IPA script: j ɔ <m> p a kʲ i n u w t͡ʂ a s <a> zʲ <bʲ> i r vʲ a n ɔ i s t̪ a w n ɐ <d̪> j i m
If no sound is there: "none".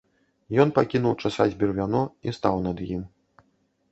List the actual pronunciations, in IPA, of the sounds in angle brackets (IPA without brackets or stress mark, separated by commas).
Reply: n, a, bʲ, d̪